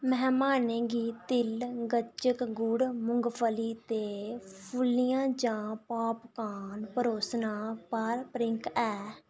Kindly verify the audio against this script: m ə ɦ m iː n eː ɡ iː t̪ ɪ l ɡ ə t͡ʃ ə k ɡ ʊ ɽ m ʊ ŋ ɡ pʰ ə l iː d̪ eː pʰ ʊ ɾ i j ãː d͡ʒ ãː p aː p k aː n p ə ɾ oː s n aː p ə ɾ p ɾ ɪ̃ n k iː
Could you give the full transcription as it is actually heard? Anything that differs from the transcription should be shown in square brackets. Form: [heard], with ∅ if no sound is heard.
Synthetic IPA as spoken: m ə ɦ m [aː] n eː ɡ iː t̪ ɪ l ɡ ə t͡ʃ ə k ɡ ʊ ɽ m ʊ ŋ ɡ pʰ ə l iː [t̪] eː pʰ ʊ [l] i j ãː d͡ʒ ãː p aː p k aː n p ə ɾ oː s n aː p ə ɾ p ɾ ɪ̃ [ŋ] k [ɛː]